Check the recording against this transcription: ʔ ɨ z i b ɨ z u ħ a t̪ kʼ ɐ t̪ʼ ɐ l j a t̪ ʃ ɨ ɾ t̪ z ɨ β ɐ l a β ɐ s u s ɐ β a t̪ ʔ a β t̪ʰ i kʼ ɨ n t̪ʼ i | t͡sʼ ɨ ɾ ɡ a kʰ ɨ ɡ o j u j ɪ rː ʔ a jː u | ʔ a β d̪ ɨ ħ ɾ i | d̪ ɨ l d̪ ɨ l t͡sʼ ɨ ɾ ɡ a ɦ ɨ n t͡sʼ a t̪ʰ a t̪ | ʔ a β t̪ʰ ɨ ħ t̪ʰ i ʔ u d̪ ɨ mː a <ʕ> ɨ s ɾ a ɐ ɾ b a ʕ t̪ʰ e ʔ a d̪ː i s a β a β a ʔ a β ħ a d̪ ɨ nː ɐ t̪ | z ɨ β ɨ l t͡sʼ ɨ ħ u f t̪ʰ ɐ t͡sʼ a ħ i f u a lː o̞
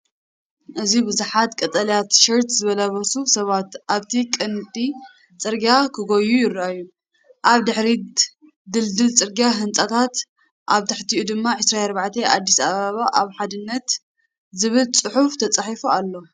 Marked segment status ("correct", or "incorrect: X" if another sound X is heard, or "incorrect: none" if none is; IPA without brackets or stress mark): correct